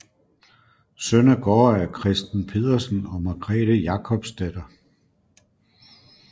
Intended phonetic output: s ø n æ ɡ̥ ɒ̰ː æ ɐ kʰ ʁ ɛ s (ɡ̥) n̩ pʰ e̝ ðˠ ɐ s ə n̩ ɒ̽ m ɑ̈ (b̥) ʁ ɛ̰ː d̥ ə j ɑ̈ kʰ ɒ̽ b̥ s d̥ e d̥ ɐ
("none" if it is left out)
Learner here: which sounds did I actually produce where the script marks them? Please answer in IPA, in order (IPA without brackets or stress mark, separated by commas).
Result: d̥, ɡ̥